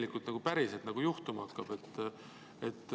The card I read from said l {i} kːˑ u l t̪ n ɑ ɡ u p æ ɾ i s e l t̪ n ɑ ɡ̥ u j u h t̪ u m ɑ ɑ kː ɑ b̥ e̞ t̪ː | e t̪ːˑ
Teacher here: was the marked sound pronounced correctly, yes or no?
yes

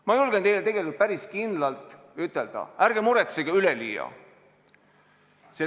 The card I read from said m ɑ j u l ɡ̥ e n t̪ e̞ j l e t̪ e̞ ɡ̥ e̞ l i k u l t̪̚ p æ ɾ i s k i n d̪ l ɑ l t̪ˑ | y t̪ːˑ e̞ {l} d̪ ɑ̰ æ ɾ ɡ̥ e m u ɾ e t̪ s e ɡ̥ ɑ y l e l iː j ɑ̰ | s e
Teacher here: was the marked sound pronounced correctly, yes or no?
yes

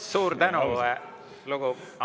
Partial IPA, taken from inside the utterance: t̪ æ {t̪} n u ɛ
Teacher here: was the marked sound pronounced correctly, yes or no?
no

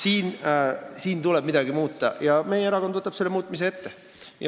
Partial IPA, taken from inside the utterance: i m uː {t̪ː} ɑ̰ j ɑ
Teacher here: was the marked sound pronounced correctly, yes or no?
yes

